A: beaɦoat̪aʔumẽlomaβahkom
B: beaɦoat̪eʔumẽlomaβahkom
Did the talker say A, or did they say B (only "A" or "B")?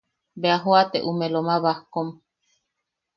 B